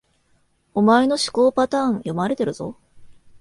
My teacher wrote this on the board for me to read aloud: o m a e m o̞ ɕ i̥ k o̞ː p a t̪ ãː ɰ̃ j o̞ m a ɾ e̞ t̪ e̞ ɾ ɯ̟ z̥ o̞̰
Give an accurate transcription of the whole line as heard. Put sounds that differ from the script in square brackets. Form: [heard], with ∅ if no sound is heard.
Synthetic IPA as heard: o m a e [n] o̞ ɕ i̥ k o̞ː p a t̪ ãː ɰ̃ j o̞ m a ɾ e̞ t̪ e̞ ɾ ɯ̟ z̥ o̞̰